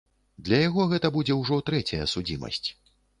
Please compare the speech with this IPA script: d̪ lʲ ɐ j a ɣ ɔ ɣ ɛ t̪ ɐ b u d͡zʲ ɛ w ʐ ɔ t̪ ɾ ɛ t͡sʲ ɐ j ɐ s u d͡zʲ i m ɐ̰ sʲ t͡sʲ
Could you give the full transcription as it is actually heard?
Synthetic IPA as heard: d̪ lʲ ɐ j a ɣ ɔ ɣ ɛ t̪ ɐ b u d͡zʲ ɛ w ʐ ɔ t̪ ɾ ɛ t͡sʲ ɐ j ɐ s u d͡zʲ i m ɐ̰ sʲ t͡sʲ

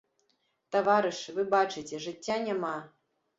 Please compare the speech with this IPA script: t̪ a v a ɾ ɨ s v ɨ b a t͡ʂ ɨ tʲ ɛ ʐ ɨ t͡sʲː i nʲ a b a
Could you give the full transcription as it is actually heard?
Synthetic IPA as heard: t̪ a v a ɾ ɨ ʂ v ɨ b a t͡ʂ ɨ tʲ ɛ ʐ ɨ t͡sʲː a nʲ a m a

